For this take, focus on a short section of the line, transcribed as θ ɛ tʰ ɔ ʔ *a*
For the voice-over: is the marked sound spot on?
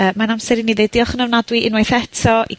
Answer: no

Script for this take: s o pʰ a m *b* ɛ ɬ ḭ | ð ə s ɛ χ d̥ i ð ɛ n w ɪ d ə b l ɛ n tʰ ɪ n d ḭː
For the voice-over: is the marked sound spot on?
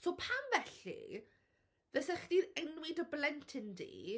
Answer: no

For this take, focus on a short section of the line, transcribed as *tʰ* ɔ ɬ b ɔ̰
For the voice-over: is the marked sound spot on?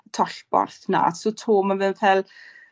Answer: yes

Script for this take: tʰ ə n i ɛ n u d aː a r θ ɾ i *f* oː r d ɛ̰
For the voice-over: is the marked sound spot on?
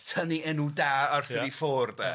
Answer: yes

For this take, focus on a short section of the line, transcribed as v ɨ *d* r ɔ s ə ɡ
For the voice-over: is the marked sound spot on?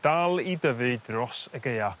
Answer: yes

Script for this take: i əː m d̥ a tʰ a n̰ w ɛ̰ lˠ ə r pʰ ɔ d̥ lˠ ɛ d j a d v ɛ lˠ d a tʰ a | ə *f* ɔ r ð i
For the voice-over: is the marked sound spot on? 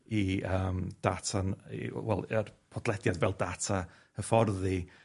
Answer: yes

